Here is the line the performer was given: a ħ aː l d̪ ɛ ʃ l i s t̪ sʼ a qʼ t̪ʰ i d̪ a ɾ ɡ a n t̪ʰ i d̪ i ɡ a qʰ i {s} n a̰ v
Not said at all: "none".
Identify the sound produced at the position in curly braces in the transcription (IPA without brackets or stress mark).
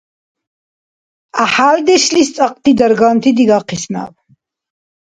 s